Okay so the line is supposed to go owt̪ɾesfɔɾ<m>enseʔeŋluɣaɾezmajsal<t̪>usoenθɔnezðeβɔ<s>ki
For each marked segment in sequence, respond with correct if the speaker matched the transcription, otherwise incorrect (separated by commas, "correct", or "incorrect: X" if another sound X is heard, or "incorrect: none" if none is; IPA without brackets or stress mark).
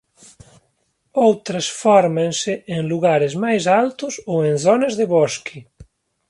correct, correct, correct